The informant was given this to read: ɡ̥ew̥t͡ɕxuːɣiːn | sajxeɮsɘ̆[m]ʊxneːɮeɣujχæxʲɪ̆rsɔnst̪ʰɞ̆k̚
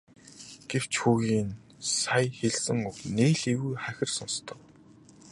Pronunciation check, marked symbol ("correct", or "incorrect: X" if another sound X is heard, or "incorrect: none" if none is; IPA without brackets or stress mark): incorrect: ŋ